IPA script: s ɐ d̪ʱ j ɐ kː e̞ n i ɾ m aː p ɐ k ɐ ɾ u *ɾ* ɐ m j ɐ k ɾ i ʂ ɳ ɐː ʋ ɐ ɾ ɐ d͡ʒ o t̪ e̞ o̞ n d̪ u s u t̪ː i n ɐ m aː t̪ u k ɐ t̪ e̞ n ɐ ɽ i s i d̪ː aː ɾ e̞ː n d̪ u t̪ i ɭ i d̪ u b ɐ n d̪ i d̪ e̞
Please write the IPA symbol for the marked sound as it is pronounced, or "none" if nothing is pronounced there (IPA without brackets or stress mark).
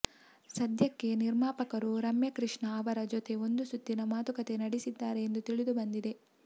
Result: ɾ